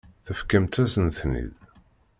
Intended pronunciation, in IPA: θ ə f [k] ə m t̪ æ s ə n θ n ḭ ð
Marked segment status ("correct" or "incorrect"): correct